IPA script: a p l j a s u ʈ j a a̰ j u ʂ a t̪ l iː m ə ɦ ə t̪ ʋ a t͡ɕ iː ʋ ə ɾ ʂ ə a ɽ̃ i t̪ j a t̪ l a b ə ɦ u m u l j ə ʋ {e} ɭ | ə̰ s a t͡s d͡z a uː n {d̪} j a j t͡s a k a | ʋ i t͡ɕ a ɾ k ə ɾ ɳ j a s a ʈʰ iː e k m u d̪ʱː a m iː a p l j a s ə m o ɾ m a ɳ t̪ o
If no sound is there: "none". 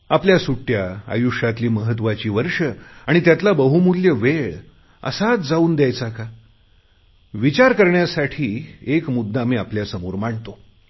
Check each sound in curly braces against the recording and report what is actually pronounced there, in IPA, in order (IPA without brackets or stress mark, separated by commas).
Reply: e, d̪